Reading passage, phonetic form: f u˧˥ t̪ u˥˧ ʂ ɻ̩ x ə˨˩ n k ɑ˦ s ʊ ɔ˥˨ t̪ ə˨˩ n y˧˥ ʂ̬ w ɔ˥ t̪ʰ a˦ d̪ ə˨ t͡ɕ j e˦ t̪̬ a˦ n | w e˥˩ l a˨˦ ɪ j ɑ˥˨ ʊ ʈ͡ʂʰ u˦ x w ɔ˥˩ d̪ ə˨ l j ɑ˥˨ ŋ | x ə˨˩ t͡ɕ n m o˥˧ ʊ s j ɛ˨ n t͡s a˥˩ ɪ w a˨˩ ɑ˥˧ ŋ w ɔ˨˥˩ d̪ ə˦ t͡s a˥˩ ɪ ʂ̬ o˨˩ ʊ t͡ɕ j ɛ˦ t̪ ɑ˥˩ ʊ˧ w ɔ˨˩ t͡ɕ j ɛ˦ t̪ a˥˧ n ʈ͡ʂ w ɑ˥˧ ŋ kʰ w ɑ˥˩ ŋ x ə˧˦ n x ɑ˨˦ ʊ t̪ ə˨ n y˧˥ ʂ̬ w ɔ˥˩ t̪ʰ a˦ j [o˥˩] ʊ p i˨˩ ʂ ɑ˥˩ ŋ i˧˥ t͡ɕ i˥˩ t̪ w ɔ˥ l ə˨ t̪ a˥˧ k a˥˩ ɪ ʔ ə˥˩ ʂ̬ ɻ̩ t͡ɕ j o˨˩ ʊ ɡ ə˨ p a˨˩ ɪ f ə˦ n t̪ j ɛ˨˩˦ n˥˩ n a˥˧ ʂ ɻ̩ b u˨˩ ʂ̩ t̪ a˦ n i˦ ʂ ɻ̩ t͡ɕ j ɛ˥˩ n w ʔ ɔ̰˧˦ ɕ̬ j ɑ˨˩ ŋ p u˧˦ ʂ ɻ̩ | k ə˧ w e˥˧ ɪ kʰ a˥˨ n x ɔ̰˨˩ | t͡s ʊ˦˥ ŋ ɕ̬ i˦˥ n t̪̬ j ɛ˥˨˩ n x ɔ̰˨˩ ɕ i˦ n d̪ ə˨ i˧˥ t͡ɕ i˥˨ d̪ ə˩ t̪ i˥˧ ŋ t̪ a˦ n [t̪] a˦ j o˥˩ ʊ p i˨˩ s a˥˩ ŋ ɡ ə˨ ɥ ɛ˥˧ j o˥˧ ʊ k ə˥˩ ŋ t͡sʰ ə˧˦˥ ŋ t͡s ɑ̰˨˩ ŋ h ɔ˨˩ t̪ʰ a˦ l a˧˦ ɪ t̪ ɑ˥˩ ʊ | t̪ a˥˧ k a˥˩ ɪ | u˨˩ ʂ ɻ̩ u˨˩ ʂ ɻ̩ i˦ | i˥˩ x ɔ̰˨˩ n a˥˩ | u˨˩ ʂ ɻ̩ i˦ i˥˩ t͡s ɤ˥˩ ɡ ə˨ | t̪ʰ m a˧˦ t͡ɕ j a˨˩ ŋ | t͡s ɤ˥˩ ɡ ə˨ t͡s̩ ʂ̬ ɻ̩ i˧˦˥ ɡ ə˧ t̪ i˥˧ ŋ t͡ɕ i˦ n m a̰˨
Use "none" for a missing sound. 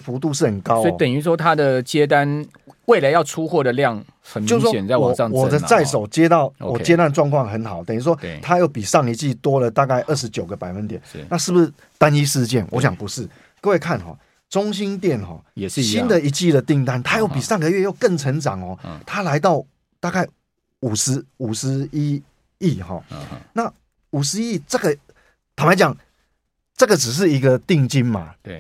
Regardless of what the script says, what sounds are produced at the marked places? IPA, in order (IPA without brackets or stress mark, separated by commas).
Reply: o˥˩, t̪ʰ